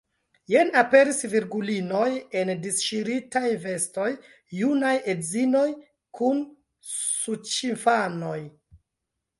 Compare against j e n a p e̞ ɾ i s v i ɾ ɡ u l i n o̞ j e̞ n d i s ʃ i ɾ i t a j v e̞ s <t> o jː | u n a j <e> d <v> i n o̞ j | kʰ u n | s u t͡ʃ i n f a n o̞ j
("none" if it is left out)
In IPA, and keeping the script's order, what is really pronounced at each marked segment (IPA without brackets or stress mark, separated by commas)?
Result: t, e, z